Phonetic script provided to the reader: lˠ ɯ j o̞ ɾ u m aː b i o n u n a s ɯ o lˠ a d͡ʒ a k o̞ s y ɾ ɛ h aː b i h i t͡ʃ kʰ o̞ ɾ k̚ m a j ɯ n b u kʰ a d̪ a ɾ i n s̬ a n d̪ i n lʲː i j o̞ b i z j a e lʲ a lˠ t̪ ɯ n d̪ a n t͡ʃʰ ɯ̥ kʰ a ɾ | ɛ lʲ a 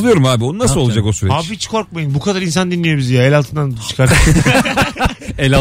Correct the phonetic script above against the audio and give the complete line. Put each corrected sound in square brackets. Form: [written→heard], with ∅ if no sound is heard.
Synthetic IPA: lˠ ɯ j o̞ ɾ u m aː b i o n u n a s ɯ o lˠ a d͡ʒ a k o̞ s y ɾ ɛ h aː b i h i t͡ʃ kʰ o̞ ɾ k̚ m a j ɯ n b u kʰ a d̪ a ɾ i n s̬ a n d̪ i n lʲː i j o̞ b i z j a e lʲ a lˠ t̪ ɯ n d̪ a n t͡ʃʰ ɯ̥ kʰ a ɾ | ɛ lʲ a